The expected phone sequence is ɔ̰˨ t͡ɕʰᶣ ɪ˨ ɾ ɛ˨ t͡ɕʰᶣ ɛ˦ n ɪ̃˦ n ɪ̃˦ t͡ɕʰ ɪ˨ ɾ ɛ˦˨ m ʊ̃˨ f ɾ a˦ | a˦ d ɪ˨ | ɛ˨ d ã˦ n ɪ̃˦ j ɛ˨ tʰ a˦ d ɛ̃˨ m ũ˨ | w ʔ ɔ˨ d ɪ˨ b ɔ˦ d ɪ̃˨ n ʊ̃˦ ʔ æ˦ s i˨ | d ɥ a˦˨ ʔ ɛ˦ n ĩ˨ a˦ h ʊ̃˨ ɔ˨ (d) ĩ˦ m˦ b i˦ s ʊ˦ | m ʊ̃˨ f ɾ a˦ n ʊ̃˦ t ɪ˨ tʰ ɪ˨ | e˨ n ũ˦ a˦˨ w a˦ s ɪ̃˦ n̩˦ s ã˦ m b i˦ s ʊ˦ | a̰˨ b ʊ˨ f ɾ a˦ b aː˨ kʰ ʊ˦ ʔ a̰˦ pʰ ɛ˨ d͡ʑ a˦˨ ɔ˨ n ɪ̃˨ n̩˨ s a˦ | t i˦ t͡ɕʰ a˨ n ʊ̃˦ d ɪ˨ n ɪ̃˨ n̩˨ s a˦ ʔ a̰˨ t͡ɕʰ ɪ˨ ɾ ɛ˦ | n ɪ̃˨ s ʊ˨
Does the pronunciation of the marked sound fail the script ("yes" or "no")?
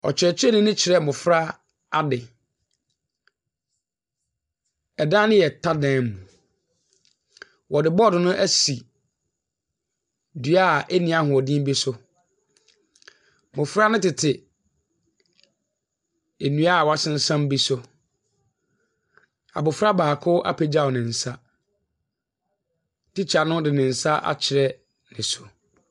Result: no